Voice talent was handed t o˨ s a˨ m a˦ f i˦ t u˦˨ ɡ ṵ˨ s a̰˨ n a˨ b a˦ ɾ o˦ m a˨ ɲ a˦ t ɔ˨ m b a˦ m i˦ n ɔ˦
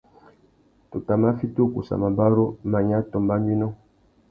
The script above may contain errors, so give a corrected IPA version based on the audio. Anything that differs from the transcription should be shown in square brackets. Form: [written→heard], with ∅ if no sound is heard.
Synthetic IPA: t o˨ [s→t] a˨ m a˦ f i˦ t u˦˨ [ɡ→k] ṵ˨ s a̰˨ [n→m] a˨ b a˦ ɾ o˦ m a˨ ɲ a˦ t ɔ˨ m b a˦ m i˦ n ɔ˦